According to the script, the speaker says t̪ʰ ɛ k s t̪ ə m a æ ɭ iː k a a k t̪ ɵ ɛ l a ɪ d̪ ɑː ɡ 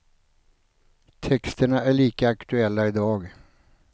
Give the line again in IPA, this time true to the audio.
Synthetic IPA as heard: t̪ʰ ɛ k s t̪ ə ɳ a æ ɭ iː k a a k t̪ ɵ ɛ lː a ɪ d̪ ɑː ɡ